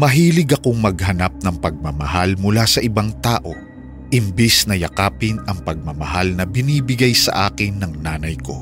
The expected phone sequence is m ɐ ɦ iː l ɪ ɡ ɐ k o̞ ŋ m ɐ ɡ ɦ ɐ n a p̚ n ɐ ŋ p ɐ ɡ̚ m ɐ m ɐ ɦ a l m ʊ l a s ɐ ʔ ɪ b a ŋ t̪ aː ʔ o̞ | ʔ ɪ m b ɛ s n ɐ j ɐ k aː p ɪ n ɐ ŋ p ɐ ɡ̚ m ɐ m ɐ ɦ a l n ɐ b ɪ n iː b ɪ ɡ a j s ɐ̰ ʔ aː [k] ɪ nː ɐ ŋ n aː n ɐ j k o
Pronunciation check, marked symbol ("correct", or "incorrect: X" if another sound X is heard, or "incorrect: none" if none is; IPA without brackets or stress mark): correct